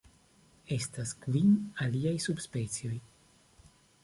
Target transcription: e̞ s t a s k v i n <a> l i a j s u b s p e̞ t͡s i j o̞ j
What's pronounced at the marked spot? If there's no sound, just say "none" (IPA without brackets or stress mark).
a